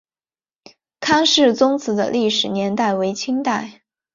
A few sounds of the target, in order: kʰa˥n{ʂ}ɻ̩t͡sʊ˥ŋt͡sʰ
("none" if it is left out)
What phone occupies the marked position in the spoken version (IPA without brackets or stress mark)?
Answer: ʂ